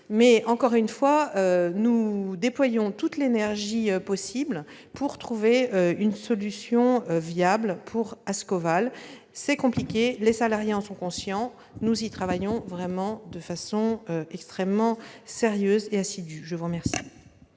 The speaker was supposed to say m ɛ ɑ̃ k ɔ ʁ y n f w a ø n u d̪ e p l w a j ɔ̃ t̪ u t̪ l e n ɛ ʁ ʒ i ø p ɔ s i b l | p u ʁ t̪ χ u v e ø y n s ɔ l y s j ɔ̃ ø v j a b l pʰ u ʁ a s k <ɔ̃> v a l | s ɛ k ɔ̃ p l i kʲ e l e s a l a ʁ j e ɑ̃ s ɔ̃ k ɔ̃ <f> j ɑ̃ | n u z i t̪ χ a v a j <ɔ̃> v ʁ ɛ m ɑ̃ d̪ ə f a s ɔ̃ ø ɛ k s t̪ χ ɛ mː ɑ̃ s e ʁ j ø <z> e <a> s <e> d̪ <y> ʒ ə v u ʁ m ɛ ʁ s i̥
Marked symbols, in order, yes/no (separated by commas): no, no, yes, yes, yes, no, yes